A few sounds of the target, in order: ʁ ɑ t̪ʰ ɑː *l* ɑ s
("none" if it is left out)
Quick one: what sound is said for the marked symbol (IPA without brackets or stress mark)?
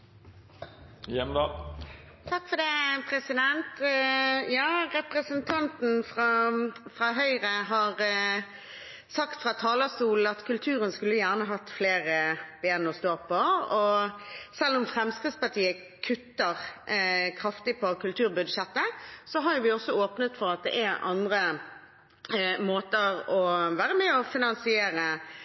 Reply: l